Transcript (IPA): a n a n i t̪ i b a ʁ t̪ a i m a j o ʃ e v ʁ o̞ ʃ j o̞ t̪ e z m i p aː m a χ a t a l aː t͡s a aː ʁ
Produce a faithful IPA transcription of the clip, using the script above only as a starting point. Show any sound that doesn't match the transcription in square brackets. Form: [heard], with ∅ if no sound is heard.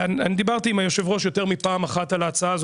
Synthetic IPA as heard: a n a n i [d̪] i b a ʁ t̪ [i] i m a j o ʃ e v ʁ o̞ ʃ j o̞ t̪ e [ʁ] m i p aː m a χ a t a l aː t͡s a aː [z]